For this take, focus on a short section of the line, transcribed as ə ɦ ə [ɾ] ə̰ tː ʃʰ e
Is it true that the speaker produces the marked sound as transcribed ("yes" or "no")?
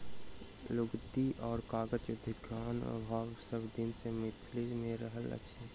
no